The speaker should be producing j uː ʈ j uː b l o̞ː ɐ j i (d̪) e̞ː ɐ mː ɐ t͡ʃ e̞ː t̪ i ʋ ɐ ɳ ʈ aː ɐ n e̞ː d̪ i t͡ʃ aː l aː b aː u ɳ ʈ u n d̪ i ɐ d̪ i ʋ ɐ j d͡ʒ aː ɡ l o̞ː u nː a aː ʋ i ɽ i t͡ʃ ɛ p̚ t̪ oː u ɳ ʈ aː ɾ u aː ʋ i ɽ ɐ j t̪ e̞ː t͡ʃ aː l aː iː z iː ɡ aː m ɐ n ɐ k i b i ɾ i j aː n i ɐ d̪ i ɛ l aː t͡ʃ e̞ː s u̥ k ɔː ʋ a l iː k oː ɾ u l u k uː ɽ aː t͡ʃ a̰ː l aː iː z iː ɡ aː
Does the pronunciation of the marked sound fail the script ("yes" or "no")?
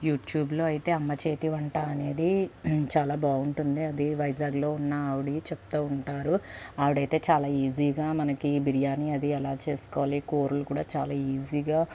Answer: yes